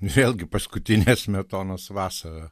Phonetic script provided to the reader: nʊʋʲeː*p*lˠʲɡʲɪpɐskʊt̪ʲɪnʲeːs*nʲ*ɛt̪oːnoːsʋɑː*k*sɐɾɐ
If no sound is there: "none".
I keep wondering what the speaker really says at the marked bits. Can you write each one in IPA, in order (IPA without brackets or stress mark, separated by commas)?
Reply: none, mʲ, none